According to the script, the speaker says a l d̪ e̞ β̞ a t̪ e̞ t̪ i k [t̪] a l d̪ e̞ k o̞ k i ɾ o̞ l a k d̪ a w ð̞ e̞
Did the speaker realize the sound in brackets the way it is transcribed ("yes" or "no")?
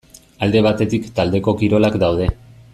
yes